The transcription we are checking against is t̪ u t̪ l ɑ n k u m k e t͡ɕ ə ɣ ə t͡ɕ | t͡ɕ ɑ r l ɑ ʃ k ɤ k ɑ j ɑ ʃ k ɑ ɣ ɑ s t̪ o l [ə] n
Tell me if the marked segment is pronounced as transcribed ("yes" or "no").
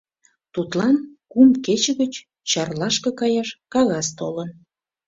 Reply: yes